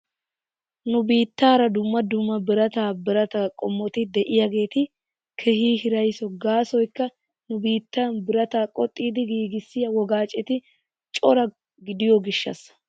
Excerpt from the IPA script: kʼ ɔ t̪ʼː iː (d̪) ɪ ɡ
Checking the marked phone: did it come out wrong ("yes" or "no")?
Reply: no